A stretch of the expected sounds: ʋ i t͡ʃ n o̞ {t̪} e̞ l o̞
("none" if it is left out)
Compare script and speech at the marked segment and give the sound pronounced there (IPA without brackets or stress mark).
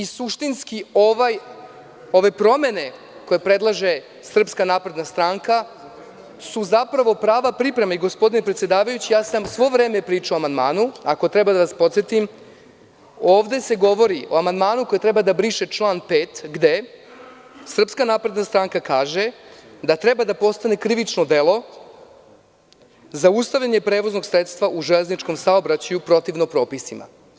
d̪